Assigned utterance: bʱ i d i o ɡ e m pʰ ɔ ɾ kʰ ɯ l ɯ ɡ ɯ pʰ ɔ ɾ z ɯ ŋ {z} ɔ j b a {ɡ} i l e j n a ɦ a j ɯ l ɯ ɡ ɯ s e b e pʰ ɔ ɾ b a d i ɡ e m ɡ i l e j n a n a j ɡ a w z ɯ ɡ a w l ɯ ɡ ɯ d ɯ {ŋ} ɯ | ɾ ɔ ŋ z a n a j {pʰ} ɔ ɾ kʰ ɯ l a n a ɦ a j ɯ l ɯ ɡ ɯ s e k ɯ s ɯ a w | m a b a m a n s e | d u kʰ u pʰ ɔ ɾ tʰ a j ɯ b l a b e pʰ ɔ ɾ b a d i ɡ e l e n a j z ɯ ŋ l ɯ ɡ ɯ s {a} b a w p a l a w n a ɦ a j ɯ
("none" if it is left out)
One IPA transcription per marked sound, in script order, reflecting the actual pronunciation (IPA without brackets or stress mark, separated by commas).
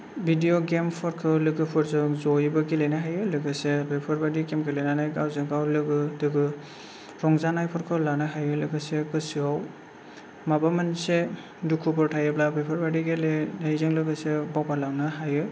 z, ɡ, ɡ, pʰ, e